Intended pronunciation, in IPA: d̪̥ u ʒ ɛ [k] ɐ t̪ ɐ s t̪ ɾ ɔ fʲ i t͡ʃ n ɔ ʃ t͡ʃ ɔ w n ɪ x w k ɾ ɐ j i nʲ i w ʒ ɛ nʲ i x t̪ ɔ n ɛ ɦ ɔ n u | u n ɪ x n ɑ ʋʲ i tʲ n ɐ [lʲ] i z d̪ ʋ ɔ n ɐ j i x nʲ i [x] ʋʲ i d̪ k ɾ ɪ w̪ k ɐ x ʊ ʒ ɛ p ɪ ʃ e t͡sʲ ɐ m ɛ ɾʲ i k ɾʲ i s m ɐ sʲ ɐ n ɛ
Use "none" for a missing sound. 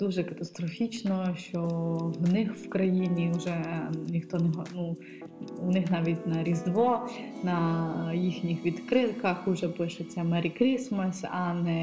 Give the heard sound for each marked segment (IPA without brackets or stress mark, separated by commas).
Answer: k, ɾʲ, x